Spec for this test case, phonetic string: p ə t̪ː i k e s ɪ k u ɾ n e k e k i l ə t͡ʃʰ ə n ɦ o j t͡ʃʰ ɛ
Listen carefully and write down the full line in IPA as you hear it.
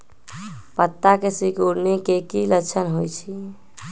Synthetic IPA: p ə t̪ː a k e s i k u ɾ n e k e k i l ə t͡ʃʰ ə n ɦ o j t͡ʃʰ i